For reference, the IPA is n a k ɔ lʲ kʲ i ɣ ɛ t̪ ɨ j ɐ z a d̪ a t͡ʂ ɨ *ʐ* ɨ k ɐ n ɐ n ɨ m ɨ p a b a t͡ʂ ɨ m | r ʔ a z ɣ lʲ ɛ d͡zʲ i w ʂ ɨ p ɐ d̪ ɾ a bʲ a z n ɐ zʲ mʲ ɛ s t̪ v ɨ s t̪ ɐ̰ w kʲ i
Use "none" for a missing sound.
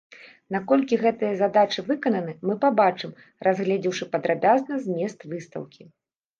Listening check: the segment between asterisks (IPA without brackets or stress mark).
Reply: v